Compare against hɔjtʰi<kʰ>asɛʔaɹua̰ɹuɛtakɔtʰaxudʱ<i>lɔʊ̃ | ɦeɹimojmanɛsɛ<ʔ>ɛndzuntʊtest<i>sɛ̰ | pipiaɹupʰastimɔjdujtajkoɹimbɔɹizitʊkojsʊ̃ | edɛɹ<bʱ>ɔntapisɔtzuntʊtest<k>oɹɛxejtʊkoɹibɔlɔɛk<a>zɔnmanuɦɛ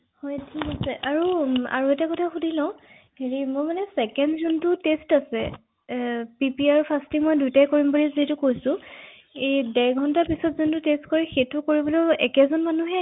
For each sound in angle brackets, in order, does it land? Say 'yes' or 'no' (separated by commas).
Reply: no, yes, no, no, no, yes, no